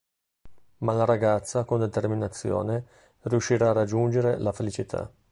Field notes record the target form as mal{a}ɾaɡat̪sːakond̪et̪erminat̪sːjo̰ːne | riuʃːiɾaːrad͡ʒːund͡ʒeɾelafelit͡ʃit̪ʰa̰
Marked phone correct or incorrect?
correct